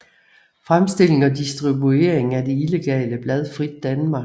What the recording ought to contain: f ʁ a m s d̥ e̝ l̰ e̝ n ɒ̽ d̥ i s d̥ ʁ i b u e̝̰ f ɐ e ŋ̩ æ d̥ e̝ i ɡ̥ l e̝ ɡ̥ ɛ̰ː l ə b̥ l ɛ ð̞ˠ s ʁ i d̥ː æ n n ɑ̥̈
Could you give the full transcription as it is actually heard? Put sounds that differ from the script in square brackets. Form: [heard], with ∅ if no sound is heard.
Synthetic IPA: f ʁ a m s d̥ e̝ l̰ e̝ [ŋ] ɒ̽ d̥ i s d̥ ʁ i b u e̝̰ [∅] ɐ e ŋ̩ æ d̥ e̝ i [∅] l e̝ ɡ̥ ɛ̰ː l ə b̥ l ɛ ð̞ˠ [f] ʁ i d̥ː æ n [m] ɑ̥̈